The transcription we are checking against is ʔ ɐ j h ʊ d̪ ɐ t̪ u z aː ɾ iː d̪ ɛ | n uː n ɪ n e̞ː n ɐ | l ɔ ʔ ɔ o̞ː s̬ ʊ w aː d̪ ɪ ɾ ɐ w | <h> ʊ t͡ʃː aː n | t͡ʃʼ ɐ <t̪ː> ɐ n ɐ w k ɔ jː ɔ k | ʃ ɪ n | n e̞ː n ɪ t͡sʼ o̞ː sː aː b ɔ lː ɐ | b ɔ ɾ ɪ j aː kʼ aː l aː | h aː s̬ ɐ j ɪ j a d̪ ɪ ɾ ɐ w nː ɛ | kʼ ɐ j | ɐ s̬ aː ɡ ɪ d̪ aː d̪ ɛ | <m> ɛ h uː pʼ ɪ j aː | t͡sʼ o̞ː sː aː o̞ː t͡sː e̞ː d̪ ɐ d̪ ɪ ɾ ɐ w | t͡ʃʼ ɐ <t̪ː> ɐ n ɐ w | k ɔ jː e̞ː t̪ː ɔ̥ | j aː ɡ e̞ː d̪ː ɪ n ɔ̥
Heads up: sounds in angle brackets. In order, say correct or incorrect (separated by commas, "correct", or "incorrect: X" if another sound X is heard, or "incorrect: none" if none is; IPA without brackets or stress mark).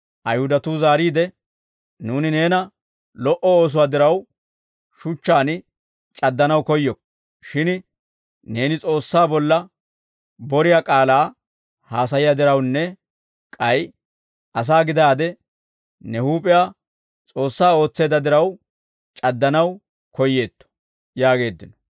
incorrect: ʃ, incorrect: d̪ː, incorrect: n, incorrect: d̪ː